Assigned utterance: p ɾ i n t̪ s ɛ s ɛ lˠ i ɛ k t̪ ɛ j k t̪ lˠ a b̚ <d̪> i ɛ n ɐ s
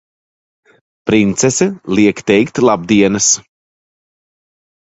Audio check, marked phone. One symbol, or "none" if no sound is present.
d̪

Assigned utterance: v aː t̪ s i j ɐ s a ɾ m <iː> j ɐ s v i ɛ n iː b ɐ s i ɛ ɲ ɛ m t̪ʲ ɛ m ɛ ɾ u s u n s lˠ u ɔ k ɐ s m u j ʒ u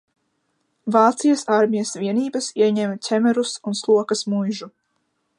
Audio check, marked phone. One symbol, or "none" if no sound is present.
i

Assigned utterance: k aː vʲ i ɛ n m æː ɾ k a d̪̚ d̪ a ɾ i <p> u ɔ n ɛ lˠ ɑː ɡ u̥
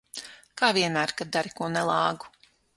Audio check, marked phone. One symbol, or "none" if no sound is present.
k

